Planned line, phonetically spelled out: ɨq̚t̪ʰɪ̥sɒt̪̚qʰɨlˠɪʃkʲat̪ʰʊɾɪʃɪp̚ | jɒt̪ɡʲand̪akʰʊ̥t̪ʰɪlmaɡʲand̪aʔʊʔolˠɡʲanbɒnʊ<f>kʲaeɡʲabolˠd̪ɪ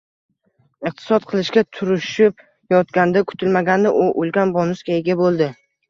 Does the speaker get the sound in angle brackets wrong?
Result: yes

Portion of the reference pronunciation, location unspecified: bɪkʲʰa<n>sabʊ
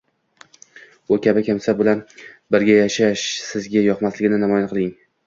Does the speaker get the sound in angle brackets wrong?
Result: yes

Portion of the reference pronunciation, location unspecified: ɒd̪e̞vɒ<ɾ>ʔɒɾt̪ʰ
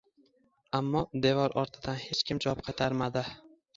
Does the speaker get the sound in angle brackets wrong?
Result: no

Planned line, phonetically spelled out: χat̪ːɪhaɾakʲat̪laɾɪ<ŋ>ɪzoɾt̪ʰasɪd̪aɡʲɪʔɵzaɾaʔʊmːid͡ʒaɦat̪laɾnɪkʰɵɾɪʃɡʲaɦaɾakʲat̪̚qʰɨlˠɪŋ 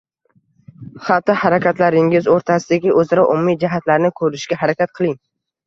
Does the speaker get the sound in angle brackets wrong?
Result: no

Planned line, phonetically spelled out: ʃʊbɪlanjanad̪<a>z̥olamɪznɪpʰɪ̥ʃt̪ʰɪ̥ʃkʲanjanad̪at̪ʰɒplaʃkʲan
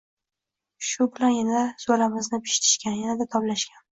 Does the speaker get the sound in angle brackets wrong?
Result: no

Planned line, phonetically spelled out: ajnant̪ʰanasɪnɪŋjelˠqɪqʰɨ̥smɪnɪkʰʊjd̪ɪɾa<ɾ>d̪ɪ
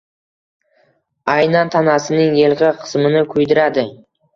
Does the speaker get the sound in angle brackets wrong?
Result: yes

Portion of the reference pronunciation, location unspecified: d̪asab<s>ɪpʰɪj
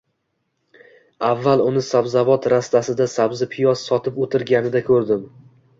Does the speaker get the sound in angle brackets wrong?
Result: yes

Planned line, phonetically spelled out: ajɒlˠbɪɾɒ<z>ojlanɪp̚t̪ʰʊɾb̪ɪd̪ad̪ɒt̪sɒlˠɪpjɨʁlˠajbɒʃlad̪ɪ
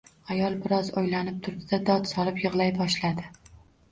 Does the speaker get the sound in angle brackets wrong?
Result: no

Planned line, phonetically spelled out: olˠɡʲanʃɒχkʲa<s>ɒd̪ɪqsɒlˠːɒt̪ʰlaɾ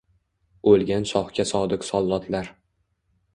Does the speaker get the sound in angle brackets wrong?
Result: no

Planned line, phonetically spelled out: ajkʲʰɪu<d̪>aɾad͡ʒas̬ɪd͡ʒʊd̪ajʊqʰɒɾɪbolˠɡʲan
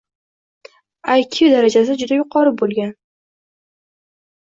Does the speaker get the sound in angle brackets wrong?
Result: no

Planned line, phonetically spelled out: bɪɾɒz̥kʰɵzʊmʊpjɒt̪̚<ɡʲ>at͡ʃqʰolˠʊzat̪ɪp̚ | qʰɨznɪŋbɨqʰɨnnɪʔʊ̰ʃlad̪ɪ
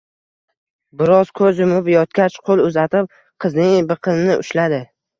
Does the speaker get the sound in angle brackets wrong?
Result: yes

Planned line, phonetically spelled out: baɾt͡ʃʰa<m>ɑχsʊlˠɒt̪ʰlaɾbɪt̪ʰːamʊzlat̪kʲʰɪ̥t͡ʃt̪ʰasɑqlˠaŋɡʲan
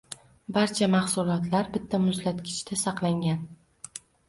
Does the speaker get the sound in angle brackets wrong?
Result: no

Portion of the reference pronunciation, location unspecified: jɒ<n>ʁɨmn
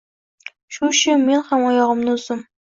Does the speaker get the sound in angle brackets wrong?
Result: yes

